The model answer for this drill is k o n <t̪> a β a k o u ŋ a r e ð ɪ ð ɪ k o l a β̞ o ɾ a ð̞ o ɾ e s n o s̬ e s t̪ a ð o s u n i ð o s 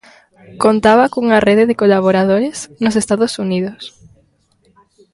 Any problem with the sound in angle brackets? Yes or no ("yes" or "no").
no